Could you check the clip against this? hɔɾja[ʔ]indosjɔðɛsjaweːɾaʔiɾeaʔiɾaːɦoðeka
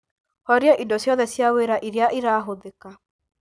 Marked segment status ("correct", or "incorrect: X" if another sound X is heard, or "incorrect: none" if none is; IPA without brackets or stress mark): correct